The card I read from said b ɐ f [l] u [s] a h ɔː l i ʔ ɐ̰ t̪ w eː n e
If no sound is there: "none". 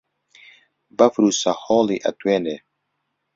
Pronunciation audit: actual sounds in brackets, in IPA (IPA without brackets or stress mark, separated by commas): ɾ, s